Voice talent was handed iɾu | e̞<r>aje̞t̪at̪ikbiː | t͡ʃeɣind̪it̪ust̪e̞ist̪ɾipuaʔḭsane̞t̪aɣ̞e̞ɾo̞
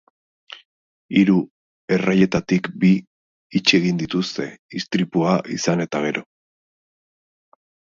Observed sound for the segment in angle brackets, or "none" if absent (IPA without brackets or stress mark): r